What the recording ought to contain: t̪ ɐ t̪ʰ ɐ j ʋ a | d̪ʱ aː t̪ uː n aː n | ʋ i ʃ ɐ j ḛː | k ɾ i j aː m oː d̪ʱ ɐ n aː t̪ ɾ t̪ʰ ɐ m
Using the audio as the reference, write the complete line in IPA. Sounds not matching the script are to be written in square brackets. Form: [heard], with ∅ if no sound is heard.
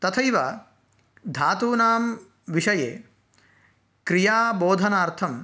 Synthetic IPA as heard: t̪ ɐ t̪ʰ ɐ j ʋ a | d̪ʱ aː t̪ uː n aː [m] | ʋ i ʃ ɐ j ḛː | k ɾ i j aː [b] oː d̪ʱ ɐ n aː [∅] ɾ t̪ʰ ɐ m